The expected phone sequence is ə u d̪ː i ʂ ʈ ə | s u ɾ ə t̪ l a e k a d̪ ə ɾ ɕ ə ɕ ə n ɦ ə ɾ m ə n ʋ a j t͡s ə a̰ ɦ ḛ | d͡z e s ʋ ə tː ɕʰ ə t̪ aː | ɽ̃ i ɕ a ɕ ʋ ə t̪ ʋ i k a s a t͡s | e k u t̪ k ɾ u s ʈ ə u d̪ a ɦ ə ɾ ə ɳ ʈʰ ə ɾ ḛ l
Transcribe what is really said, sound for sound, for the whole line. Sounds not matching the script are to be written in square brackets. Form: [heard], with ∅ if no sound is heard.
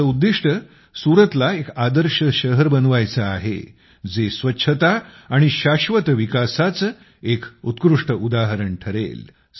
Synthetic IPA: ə u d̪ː i ʂ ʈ ə | s u ɾ ə t̪ l a e k a d̪ ə ɾ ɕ ə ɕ ə [∅] ɦ ə ɾ [b] ə n ʋ a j t͡s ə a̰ ɦ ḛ | d͡z e s ʋ ə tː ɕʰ ə t̪ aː | ɽ̃ i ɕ a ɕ ʋ ə t̪ ʋ i k a s a t͡s | e k u t̪ k ɾ u [ʂ] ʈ ə u d̪ a ɦ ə ɾ ə ɳ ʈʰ ə ɾ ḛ l